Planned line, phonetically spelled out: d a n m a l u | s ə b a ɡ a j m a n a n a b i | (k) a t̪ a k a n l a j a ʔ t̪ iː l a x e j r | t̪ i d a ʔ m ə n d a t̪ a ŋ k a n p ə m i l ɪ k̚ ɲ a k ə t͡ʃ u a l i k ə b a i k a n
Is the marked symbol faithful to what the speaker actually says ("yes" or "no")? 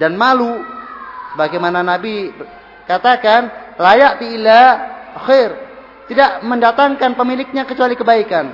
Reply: yes